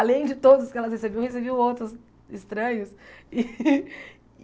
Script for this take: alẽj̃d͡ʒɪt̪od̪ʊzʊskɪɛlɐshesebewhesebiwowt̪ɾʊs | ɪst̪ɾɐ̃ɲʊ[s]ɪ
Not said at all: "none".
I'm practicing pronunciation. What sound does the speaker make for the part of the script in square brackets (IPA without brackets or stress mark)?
s